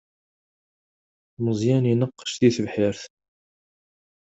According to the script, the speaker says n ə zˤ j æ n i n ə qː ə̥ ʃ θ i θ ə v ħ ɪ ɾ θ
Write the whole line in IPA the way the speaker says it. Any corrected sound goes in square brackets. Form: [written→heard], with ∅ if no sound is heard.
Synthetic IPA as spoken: [n→m] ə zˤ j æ n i n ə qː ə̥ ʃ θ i θ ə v ħ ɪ ɾ θ